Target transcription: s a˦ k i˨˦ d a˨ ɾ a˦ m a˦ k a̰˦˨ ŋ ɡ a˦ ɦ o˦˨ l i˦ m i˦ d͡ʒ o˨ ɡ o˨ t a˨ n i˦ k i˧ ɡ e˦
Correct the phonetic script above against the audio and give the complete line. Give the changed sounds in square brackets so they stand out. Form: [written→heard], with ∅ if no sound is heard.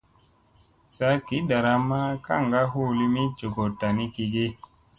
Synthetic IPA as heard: s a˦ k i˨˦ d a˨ ɾ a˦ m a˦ k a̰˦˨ ŋ ɡ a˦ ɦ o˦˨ l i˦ m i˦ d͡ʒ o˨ ɡ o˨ t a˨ n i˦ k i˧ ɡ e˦